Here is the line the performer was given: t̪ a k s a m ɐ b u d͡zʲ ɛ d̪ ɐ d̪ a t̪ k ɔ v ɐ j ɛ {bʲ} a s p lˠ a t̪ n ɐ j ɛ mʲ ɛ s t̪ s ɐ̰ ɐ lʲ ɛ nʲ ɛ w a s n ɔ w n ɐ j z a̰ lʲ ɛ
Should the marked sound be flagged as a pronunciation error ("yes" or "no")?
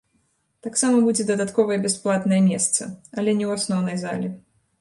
no